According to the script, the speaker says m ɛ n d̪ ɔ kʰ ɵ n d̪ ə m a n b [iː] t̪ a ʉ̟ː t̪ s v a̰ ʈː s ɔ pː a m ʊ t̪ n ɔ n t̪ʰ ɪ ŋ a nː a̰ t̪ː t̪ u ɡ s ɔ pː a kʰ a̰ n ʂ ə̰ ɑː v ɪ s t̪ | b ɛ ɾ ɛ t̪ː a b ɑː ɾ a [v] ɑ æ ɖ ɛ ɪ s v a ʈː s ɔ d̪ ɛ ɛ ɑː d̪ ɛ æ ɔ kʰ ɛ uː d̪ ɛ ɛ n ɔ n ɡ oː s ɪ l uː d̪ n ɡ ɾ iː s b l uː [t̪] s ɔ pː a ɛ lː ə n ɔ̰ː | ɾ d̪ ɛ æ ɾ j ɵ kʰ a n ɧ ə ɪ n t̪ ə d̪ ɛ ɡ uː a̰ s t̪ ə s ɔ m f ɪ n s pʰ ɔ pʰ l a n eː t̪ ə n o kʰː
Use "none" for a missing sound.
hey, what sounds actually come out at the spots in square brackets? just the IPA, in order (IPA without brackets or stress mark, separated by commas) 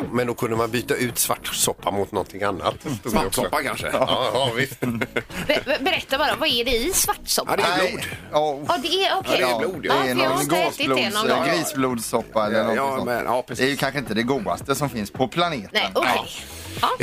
yː, v, d̪